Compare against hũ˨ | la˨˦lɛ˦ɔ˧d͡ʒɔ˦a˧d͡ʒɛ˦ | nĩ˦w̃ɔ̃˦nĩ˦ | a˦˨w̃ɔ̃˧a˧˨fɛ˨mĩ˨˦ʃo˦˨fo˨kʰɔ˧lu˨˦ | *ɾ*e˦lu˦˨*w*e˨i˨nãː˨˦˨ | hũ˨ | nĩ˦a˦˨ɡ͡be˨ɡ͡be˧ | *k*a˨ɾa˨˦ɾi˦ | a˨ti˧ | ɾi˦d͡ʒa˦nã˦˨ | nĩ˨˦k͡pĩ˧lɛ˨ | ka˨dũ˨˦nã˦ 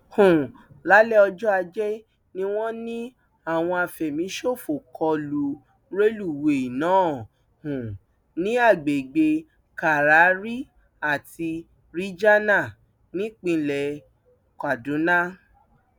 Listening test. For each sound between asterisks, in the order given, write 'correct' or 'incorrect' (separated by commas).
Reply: correct, correct, correct